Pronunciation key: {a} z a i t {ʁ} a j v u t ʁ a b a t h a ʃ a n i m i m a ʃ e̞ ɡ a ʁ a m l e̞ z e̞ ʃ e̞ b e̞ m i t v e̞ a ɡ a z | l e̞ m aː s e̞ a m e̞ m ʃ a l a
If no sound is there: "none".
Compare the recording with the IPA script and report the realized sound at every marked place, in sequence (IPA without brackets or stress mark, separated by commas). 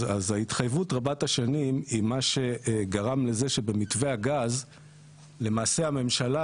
a, χ